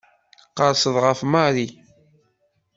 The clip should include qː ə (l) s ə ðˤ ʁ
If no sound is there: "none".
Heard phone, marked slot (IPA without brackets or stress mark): ɾ